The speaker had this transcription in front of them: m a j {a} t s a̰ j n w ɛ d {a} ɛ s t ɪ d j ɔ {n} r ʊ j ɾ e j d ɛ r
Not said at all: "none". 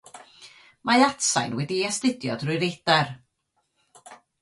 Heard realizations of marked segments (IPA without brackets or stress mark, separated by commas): a, i, d